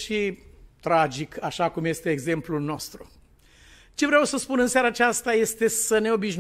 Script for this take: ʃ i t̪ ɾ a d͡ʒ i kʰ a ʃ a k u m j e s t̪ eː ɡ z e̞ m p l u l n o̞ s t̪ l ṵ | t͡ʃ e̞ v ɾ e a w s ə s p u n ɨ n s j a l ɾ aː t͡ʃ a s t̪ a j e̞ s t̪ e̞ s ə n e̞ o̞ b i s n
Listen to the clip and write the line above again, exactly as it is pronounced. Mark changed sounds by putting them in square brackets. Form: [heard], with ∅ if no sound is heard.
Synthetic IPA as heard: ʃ i t̪ ɾ a d͡ʒ i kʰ a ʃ a k u m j e s t̪ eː ɡ z e̞ m p l u l n o̞ s t̪ [ɾ] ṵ | t͡ʃ e̞ v ɾ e a w s ə s p u n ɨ n s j a [∅] ɾ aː t͡ʃ a s t̪ a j e̞ s t̪ e̞ s ə n e̞ o̞ b i [ʃ] n